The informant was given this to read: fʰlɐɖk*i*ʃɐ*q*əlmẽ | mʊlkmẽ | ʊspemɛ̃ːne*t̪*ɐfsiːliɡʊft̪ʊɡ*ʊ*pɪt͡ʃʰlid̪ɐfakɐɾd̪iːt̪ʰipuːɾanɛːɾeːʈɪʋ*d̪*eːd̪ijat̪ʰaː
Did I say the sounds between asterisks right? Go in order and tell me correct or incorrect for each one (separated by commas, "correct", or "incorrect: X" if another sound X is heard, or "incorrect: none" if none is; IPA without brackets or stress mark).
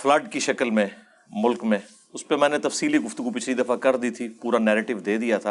correct, incorrect: k, correct, incorrect: u, correct